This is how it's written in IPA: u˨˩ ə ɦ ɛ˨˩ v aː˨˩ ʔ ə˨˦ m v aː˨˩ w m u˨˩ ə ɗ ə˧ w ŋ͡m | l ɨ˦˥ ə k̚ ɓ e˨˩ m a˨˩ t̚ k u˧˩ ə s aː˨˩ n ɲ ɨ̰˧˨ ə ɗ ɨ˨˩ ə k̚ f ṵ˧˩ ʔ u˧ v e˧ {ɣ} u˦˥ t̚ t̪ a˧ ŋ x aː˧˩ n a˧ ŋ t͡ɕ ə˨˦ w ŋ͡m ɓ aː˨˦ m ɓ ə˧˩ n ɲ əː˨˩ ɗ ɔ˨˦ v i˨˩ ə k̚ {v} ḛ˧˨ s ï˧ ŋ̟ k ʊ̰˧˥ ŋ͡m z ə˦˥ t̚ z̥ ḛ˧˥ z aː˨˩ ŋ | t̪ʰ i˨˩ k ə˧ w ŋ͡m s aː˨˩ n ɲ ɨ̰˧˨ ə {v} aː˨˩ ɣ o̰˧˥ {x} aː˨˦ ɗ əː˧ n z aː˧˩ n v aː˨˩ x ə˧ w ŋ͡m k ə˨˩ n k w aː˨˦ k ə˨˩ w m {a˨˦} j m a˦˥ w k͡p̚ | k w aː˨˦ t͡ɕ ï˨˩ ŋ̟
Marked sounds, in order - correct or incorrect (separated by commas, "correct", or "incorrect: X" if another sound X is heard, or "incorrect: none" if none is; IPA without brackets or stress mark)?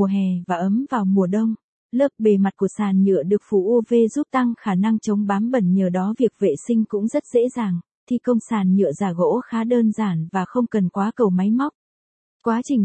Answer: incorrect: z, correct, incorrect: z, correct, correct